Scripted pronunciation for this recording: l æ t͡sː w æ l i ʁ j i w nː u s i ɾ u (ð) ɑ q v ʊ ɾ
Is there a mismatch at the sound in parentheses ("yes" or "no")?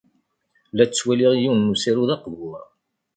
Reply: no